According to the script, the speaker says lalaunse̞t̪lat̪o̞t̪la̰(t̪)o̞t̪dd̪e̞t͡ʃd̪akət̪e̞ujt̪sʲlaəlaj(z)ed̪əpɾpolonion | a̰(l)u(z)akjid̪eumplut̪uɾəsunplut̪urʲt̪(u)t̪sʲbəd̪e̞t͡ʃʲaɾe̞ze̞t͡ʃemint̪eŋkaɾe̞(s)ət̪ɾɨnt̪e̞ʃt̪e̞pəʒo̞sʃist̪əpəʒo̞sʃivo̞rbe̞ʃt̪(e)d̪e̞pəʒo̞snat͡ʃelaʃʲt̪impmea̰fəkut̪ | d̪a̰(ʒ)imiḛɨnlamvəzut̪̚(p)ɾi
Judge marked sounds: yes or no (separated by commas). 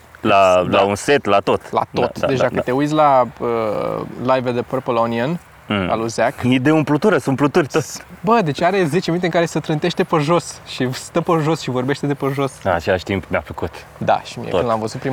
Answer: yes, no, yes, yes, no, yes, yes, no, yes